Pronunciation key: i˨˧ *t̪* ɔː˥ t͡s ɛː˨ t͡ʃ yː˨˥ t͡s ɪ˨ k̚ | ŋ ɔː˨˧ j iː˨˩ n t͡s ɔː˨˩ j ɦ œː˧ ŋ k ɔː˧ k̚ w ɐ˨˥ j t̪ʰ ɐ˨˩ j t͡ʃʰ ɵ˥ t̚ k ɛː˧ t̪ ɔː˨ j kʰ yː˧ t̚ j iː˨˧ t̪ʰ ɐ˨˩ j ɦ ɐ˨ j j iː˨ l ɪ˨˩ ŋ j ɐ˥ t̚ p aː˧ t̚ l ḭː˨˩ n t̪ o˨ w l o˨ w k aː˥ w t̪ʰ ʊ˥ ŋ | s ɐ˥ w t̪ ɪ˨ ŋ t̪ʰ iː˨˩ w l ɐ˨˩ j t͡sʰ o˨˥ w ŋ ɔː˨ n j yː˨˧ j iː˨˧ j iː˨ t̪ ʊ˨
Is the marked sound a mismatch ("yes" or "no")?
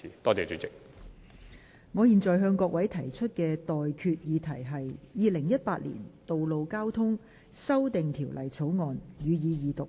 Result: no